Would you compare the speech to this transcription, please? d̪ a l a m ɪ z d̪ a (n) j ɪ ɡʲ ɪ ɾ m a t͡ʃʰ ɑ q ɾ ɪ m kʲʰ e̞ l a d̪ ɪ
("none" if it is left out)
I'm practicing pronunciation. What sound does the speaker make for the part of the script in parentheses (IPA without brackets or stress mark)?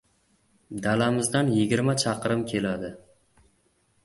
n